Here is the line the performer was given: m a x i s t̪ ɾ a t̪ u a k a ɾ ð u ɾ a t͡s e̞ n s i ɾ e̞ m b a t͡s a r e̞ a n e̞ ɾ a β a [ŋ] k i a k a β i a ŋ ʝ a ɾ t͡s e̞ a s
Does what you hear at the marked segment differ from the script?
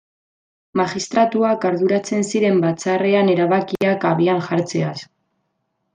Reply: yes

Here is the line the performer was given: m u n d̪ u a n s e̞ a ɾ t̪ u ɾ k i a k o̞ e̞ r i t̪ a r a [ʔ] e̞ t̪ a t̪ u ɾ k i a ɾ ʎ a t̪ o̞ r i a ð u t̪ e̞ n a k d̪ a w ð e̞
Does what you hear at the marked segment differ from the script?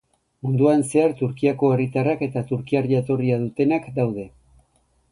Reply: yes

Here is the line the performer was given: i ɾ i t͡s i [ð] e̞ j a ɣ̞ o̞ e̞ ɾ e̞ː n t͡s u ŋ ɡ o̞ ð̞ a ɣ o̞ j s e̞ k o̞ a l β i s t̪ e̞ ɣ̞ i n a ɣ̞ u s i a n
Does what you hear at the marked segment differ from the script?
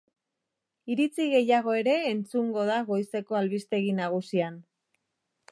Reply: yes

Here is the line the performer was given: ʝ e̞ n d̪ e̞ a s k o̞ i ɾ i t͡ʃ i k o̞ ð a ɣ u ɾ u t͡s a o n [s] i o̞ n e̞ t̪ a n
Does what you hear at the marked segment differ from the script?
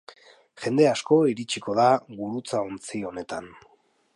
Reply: yes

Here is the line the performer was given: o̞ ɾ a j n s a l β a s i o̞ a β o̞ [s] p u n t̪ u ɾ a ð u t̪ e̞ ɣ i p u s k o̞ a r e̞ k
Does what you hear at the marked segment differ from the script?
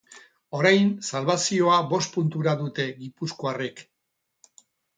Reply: no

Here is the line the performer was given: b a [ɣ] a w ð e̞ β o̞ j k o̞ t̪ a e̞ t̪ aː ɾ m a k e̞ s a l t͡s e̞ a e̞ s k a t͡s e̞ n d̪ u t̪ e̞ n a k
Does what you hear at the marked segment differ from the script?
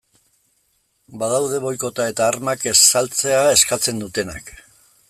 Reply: yes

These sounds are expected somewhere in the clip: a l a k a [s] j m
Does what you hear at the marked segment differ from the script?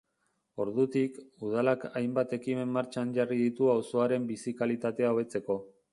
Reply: yes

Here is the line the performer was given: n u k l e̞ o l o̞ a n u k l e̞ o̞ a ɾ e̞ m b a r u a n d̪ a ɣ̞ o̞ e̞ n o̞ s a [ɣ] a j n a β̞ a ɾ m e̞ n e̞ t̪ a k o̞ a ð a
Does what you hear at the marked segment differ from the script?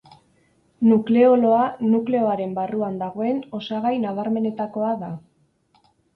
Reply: no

